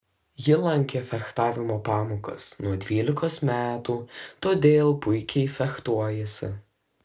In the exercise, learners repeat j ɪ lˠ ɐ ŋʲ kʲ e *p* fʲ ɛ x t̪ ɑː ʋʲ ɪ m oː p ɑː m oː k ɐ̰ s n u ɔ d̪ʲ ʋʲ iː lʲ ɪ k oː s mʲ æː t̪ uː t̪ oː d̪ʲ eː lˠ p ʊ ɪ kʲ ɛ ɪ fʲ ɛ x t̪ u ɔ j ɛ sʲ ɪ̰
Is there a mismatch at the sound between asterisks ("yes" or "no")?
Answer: yes